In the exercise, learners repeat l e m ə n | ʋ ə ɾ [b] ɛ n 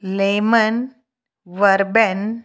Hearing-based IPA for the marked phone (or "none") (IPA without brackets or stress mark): b